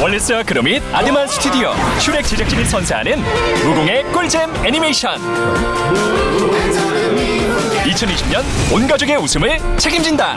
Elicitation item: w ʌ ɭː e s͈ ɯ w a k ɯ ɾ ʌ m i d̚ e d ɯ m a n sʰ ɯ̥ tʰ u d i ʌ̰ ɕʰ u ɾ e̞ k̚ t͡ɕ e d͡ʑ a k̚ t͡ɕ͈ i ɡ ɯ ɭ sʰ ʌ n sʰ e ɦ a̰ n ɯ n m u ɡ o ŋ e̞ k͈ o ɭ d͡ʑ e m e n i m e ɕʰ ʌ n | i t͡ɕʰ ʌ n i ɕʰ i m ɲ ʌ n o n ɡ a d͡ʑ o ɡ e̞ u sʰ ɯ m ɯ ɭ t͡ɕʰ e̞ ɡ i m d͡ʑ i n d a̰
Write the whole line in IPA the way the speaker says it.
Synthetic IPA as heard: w ʌ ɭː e s͈ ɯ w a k ɯ ɾ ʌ m i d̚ a d ɯ m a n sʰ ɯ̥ tʰ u d i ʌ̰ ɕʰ u ɾ e̞ k̚ t͡ɕ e d͡ʑ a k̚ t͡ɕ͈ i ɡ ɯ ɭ sʰ ʌ n sʰ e ɦ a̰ n ɯ n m u ɡ o ŋ e̞ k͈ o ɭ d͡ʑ e m e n i m e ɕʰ ʌ n | i t͡ɕʰ ʌ n i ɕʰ i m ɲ ʌ n o n ɡ a d͡ʑ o ɡ e̞ u sʰ ɯ m ɯ ɭ t͡ɕʰ e̞ ɡ i m d͡ʑ i n d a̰